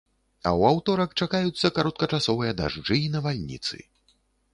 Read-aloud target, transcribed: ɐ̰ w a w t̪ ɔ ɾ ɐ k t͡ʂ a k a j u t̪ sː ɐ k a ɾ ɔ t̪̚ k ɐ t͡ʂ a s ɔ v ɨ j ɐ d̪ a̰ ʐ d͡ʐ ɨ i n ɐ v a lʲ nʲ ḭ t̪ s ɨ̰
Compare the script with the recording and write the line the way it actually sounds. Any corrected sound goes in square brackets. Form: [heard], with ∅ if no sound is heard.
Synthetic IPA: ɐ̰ w a w t̪ ɔ ɾ ɐ k t͡ʂ a k a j u t̪ sː ɐ k a ɾ ɔ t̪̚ k ɐ t͡ʂ a s ɔ v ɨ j ɐ d̪ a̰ ʐ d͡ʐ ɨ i n ɐ v a lʲ nʲ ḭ t̪ s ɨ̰